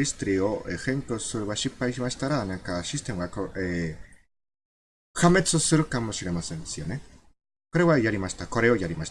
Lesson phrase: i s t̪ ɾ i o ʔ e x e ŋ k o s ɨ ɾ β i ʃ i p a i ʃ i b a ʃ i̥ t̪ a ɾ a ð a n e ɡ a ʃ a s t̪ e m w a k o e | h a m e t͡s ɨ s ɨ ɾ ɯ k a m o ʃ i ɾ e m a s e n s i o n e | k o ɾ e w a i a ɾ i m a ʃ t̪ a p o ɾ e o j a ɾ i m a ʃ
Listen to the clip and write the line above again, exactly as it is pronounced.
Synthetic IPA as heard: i s t̪ ɾ i o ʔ e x e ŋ k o s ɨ ɾ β a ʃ i p a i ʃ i m a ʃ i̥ t̪ a ɾ a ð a n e k a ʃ i s t̪ e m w a k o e | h a m e t͡s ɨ s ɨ ɾ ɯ k a m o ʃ i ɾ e m a s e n s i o n e | k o ɾ e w a j a ɾ i m a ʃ t̪ a k o ɾ e o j a ɾ i m a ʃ

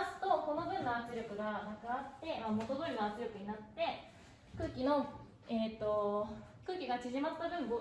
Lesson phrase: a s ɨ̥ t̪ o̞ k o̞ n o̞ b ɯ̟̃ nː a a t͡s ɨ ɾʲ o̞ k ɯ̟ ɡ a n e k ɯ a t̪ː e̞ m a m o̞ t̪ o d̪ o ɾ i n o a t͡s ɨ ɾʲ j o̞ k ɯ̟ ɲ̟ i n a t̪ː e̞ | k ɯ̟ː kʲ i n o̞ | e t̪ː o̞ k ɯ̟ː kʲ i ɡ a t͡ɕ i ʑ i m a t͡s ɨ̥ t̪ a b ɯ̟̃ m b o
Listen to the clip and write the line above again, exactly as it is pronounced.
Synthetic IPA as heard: a s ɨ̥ t̪ o̞ k o̞ n o̞ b ɯ̟̃ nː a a t͡s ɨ ɾʲ o̞ k ɯ̟ ɡ a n a k ɯ a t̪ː e̞ m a m o̞ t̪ o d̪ o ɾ i n o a t͡s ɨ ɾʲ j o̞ k ɯ̟ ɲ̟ i n a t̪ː e̞ | k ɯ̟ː kʲ i n o̞ | e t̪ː o̞ k ɯ̟ː kʲ i ɡ a t͡ɕ i ʑ i m a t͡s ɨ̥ t̪ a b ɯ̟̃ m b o

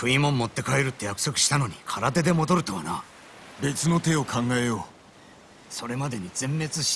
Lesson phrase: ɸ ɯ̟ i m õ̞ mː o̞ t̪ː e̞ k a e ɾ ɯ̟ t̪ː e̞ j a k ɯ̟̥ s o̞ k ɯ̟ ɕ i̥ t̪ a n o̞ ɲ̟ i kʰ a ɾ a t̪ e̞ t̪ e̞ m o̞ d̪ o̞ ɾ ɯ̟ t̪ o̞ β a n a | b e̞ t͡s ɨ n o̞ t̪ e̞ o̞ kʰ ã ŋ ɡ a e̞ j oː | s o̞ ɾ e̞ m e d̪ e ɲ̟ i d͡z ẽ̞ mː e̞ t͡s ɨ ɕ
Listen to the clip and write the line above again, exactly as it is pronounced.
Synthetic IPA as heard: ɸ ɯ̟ i m õ̞ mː o̞ t̪ː e̞ k a e ɾ ɯ̟ t̪ː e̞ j a k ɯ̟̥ s o̞ k ɯ̟ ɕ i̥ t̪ a n o̞ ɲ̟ i kʰ a ɾ a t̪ e̞ d̪ e̞ m o̞ d̪ o̞ ɾ ɯ̟ t̪ o̞ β a n a | b e̞ t͡s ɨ n o̞ t̪ e̞ o̞ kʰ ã ŋ ɡ a e̞ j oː | s o̞ ɾ e̞ m a d̪ e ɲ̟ i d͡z ẽ̞ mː e̞ t͡s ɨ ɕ

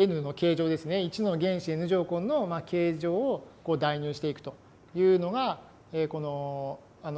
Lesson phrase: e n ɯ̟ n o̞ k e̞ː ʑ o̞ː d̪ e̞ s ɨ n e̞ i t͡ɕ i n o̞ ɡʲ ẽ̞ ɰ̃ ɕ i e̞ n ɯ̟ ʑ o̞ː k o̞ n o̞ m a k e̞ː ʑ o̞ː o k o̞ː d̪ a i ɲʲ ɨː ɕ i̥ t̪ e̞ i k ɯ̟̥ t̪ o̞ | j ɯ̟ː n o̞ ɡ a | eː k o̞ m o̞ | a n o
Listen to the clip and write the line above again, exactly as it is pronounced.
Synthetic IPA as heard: e n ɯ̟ n o̞ k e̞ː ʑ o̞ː d̪ e̞ s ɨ n e̞ i t͡ɕ i n o̞ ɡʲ ẽ̞ ɰ̃ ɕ i e̞ n ɯ̟ ʑ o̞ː k o̞ n o̞ m a k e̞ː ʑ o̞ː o k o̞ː d̪ a i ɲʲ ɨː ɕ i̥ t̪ e̞ i k ɯ̟̥ t̪ o̞ | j ɯ̟ː n o̞ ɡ a | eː k o̞ n o̞ | a n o

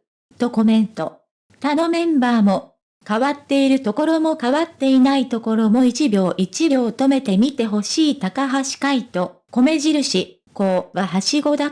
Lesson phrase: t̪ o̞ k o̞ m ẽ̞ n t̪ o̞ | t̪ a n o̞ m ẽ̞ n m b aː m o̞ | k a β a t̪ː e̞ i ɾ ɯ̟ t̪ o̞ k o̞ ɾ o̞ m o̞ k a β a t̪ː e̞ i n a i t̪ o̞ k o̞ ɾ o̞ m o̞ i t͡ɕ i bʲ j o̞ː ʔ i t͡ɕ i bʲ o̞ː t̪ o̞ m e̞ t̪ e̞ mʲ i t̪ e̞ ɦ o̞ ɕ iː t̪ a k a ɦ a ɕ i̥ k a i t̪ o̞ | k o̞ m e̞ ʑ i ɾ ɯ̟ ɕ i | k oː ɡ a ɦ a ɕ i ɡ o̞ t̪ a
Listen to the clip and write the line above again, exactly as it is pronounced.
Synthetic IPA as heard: t̪ o̞ k o̞ m ẽ̞ n t̪ o̞ | t̪ a n o̞ m ẽ̞ m b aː m o̞ | k a β a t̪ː e̞ i ɾ ɯ̟ t̪ o̞ k o̞ ɾ o̞ m o̞ k a β a t̪ː e̞ i n a i t̪ o̞ k o̞ ɾ o̞ m o̞ i t͡ɕ i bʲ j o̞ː ʔ i t͡ɕ i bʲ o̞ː t̪ o̞ m e̞ t̪ e̞ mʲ i t̪ e̞ ɦ o̞ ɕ iː t̪ a k a ɦ a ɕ i̥ k a i t̪ o̞ | k o̞ m e̞ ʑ i ɾ ɯ̟ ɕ i | k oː ɡ a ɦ a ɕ i ɡ o̞ d̪ a

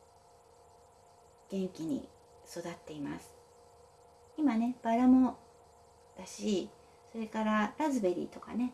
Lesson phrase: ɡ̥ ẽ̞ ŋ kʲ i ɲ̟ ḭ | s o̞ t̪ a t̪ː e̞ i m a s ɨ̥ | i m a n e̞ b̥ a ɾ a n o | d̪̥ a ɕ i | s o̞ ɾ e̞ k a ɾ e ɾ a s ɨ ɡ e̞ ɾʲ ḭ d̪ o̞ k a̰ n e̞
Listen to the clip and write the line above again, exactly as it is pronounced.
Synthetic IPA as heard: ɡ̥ ẽ̞ ŋ kʲ i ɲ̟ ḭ | s o̞ d̪ a t̪ː e̞ i m a s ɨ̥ | i m a n e̞ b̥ a ɾ a m o | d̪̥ a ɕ i | s o̞ ɾ e̞ k a ɾ a ɾ a z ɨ b e̞ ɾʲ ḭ t̪ o̞ k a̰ n e̞

